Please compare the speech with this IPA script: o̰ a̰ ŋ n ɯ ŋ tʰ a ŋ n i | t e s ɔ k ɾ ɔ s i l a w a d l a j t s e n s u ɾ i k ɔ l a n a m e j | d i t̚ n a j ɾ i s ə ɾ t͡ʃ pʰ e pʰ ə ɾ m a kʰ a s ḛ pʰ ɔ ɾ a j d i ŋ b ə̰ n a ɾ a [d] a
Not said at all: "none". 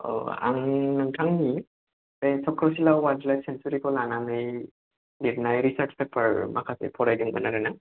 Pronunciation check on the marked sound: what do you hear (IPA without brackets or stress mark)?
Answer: n